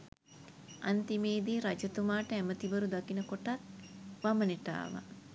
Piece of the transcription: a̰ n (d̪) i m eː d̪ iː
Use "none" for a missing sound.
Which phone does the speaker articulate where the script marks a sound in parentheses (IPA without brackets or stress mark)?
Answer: t̪